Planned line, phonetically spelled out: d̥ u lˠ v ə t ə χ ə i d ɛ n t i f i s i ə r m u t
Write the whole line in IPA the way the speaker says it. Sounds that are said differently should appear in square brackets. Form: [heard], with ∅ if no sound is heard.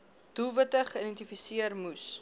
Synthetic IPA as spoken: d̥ u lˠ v ə t ə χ ə i d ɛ n t i f i s i ə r m u [s]